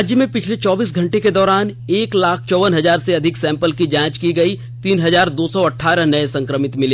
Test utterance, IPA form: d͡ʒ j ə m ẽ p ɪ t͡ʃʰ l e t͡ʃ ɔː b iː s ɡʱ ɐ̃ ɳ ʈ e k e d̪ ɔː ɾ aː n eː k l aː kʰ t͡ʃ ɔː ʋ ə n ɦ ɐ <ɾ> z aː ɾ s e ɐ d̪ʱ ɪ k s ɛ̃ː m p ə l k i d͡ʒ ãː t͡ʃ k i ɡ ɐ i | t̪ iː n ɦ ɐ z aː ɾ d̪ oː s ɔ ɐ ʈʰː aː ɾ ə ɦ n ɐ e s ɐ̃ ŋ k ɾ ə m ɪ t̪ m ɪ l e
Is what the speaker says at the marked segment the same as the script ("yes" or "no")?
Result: no